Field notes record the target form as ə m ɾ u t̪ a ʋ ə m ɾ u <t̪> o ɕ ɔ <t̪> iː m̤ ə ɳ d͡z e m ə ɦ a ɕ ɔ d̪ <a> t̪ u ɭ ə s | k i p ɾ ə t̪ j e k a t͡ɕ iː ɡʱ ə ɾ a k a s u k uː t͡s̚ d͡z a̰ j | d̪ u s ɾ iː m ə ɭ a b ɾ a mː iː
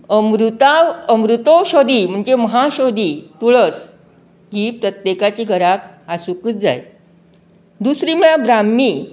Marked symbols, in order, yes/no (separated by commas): yes, no, no